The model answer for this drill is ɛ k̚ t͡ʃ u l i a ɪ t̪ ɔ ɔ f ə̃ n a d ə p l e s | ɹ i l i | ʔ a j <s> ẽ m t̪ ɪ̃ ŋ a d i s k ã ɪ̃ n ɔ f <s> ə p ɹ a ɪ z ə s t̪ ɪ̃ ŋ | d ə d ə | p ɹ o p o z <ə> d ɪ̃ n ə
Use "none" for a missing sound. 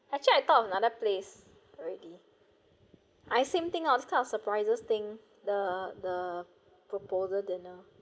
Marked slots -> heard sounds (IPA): s, s, ə

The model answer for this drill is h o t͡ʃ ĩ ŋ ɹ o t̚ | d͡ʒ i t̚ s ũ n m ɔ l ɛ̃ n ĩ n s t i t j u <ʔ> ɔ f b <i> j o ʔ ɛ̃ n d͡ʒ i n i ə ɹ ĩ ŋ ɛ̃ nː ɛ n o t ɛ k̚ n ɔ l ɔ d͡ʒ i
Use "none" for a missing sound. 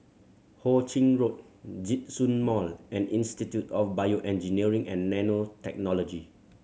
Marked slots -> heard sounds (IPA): t, a

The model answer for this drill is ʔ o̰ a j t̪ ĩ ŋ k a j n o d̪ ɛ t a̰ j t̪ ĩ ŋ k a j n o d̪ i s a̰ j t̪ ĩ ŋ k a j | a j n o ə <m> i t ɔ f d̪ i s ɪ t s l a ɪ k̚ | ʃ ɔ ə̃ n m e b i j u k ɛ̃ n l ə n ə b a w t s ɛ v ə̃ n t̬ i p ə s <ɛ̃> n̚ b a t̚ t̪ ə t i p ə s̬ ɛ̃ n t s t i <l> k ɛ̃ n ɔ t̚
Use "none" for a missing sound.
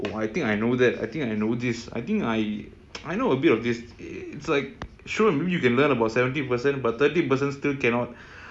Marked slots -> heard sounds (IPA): b, ɛ̃, l

